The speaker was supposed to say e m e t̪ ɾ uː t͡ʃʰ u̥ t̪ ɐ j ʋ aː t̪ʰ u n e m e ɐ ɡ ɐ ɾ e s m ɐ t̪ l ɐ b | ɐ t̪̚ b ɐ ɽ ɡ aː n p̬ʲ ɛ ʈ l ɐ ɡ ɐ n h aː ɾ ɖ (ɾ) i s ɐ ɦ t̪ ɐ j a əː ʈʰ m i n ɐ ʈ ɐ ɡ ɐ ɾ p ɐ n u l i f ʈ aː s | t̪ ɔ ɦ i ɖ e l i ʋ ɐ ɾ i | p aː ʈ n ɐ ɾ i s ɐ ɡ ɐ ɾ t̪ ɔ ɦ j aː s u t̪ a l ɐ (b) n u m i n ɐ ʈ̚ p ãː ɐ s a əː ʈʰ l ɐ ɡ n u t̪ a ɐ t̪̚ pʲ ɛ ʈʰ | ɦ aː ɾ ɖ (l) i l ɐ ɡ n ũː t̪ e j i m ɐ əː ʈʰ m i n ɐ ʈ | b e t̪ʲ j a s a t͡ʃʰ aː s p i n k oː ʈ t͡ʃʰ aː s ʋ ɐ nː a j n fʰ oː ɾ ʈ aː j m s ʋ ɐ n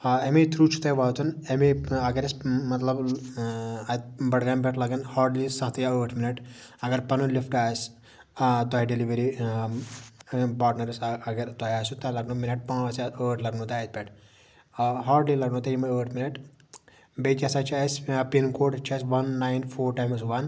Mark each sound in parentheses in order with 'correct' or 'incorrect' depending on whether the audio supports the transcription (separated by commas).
incorrect, incorrect, correct